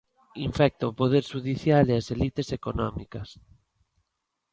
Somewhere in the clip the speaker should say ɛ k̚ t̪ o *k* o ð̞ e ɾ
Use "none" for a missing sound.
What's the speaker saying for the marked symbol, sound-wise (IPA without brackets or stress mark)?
p